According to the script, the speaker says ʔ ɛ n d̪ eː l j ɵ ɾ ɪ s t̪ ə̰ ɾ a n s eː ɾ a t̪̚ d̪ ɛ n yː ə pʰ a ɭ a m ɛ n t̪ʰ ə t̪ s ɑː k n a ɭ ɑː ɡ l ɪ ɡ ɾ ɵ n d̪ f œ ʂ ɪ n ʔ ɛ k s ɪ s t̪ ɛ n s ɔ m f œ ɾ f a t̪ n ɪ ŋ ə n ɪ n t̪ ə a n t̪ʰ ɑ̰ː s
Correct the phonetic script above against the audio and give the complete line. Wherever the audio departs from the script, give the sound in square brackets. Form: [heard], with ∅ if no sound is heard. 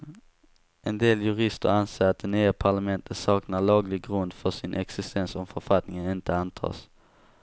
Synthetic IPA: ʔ ɛ n d̪ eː l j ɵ ɾ ɪ s t̪ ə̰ ɾ a n s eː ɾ a t̪̚ d̪ ɛ n yː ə pʰ a ɭ a m ɛ n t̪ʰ ə t̪ s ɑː k n a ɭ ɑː ɡ l ɪ ɡ ɾ ɵ n d̪ f œ ʂ ɪ n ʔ ɛ k s ɪ s t̪ ɛ n s ɔ m f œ ɾ f a t̪ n ɪ ŋ ə n ɪ n t̪ ə a n t̪ʰ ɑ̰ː s